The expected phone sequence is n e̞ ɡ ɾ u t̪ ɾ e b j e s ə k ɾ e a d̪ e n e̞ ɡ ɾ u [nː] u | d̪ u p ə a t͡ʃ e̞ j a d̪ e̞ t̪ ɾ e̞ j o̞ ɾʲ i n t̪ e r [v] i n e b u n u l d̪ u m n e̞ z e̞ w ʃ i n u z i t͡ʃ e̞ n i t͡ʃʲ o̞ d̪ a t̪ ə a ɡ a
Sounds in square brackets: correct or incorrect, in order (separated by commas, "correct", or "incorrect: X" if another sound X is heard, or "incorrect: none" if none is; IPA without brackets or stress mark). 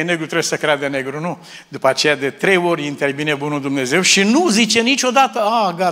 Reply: incorrect: n, correct